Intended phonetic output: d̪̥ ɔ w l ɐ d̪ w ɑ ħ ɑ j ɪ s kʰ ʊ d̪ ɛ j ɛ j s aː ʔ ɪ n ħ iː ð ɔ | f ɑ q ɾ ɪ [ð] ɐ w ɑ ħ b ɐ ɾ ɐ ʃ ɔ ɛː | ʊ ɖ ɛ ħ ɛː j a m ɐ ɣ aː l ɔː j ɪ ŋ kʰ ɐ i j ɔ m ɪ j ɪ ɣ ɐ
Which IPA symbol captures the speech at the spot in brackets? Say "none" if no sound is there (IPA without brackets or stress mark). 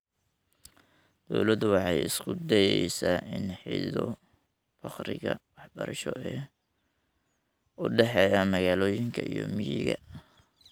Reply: ɣ